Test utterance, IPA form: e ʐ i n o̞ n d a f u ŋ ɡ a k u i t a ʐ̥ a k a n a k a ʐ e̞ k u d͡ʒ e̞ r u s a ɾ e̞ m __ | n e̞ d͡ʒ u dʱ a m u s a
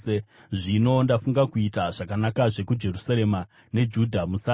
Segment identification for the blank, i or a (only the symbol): a